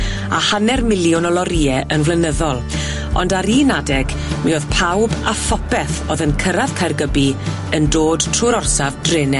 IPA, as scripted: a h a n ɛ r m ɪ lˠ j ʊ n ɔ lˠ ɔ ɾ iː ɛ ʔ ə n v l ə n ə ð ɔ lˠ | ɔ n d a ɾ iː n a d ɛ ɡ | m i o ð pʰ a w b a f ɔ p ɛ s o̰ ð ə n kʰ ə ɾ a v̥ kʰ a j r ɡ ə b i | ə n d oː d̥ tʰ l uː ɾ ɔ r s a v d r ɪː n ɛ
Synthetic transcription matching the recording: a h a n ɛ r m ɪ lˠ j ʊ n ɔ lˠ ɔ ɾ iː ɛ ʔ ə n v l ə n ə ð ɔ lˠ | ɔ n d a ɾ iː n a d ɛ ɡ | m i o ð pʰ a w b a f ɔ p ɛ θ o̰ ð ə n kʰ ə ɾ a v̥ kʰ a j r ɡ ə b i | ə n d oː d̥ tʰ r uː ɾ ɔ r s a v d r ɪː n ɛ